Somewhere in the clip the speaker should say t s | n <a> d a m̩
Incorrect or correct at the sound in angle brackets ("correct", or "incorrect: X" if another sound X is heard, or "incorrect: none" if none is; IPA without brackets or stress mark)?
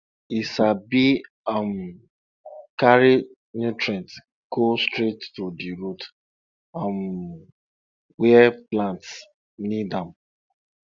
incorrect: i